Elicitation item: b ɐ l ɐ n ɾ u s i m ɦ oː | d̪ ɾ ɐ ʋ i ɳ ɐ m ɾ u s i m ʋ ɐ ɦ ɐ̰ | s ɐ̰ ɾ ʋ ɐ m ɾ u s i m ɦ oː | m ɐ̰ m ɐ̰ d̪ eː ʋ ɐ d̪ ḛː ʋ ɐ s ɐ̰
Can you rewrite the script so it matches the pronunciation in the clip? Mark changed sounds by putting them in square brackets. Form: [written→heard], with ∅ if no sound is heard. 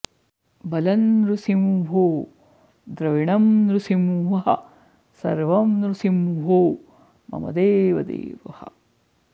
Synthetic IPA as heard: b ɐ l ɐ n ɾ u s i m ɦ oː | d̪ ɾ ɐ ʋ i ɳ ɐ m ɾ u s i m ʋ ɐ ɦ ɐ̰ | s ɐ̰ ɾ ʋ ɐ m ɾ u s i m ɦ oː | m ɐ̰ m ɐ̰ d̪ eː ʋ ɐ d̪ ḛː ʋ ɐ [s→h] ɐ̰